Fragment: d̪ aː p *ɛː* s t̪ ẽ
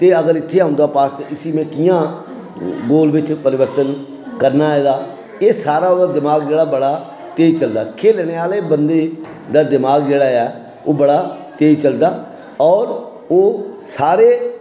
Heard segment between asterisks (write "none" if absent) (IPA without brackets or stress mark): aː